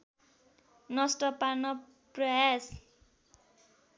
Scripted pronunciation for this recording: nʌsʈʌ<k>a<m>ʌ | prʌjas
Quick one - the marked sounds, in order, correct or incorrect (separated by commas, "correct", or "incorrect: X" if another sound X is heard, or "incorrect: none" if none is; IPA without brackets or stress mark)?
incorrect: p, incorrect: n